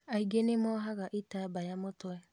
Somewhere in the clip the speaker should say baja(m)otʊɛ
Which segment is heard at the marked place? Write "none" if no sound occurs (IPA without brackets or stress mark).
m